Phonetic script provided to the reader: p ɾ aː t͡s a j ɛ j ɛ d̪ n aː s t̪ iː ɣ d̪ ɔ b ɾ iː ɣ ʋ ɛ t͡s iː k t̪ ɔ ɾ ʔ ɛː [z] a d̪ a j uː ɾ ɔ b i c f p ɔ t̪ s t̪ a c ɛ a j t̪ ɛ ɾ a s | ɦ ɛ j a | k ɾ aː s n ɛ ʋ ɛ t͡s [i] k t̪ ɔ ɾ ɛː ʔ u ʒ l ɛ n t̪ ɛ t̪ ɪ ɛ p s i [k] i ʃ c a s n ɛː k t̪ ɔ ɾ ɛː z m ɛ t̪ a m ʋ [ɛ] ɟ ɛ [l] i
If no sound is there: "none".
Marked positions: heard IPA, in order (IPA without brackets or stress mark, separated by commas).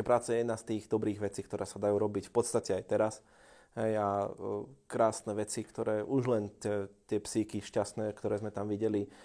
s, i, k, i, l